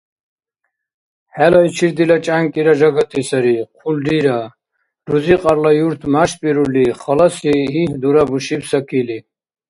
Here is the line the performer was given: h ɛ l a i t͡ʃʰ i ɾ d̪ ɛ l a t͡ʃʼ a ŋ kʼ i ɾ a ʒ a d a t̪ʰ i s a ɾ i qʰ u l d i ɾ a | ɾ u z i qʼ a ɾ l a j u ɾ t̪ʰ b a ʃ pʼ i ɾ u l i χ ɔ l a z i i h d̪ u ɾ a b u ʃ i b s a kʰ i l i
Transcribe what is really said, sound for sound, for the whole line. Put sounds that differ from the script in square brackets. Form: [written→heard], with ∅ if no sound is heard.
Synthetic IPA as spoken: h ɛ l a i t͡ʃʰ i ɾ d̪ [ɛ→i] l a t͡ʃʼ a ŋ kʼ i ɾ a ʒ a [d→ɡ] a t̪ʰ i s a ɾ i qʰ u l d i ɾ a | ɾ u z i qʼ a ɾ l a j u ɾ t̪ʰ [b→m] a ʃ pʼ i ɾ u l i χ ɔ l a [z→s] i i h d̪ u ɾ a b u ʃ i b s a kʰ i l i